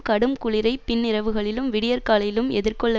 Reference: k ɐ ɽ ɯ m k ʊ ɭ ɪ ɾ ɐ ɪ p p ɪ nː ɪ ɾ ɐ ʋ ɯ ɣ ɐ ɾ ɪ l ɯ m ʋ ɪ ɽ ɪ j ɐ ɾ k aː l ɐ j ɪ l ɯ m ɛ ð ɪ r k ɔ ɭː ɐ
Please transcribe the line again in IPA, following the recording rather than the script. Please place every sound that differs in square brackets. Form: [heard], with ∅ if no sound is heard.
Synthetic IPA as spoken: k ɐ ɽ ɯ m k ʊ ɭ ɪ ɾ ɐ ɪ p p ɪ nː ɪ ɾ ɐ ʋ ɯ ɣ ɐ [ɭ] ɪ l ɯ m ʋ ɪ ɽ ɪ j ɐ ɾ k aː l ɐ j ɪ l ɯ m ɛ ð ɪ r k ɔ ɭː ɐ